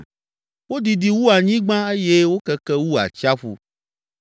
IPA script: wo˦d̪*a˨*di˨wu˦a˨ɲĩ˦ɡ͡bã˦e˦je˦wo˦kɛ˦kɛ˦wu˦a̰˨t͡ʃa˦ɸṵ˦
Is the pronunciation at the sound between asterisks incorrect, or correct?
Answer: incorrect